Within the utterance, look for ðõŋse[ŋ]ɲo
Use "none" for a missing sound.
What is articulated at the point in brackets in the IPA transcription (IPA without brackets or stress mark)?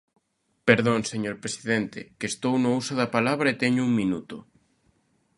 none